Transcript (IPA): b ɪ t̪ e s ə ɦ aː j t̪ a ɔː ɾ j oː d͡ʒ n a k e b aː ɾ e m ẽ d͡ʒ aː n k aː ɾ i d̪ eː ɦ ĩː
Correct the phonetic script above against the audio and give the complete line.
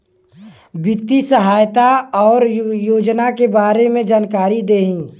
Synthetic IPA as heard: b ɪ t̪ i s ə ɦ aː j t̪ a ɔː ɾ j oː d͡ʒ n a k e b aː ɾ e m ẽ d͡ʒ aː n k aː ɾ i d̪ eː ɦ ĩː